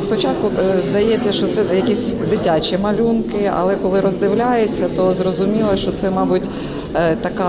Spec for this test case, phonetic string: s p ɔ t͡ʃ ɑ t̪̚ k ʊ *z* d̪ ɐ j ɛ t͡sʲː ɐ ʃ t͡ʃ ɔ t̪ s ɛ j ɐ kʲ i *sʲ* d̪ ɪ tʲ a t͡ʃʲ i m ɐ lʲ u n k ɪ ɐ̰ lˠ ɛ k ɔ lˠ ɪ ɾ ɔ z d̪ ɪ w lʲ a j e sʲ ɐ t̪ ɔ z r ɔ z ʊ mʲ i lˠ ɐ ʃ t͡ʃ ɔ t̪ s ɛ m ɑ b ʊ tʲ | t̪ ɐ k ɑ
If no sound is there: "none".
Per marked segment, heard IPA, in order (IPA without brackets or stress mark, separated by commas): z, sʲ